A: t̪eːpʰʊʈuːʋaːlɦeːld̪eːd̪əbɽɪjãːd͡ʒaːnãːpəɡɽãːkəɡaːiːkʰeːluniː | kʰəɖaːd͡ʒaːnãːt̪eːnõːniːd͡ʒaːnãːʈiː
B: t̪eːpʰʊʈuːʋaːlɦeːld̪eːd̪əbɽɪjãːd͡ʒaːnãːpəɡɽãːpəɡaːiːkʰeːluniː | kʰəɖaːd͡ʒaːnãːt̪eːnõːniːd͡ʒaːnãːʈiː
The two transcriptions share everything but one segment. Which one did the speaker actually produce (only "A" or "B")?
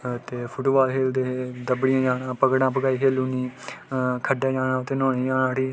B